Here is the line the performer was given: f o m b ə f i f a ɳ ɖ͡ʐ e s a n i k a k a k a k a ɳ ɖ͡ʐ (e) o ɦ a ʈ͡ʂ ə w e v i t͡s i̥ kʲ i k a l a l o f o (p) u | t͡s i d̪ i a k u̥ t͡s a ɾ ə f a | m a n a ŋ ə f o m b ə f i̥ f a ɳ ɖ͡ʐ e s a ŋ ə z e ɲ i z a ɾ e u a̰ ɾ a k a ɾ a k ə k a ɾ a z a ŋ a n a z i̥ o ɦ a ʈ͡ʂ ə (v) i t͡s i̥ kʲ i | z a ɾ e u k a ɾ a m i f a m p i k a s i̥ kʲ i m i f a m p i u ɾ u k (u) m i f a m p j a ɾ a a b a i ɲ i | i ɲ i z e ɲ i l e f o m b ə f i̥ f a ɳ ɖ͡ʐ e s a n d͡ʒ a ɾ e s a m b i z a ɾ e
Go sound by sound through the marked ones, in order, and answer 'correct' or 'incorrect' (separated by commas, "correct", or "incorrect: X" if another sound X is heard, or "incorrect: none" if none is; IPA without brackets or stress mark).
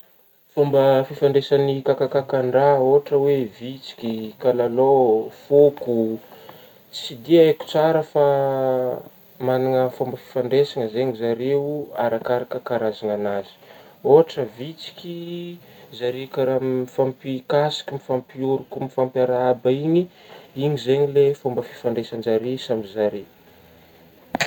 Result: incorrect: a, incorrect: k, correct, correct